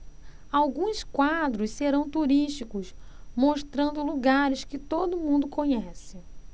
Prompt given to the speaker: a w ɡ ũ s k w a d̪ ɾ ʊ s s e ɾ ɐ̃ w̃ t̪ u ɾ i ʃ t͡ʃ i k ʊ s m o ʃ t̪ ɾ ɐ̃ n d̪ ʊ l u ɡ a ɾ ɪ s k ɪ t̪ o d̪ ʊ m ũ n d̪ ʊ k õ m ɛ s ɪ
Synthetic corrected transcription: a w ɡ ũ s k w a d̪ ɾ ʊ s s e ɾ ɐ̃ w̃ t̪ u ɾ i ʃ t͡ʃ i k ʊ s m o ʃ t̪ ɾ ɐ̃ n d̪ ʊ l u ɡ a ɾ ɪ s k ɪ t̪ o d̪ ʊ m ũ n d̪ ʊ k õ ɲ ɛ s ɪ

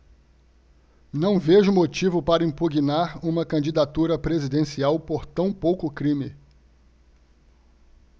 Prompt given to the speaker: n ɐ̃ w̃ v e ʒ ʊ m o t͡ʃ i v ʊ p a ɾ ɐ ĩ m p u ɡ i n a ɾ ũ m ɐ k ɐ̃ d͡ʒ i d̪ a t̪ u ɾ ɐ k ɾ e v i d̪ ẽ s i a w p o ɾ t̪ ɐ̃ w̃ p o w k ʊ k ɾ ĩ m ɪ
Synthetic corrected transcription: n ɐ̃ w̃ v e ʒ ʊ m o t͡ʃ i v ʊ p a ɾ ɐ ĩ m p u ɡ i n a ɾ ũ m ɐ k ɐ̃ d͡ʒ i d̪ a t̪ u ɾ ɐ p ɾ e z i d̪ ẽ s i a w p o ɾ t̪ ɐ̃ w̃ p o w k ʊ k ɾ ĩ m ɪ

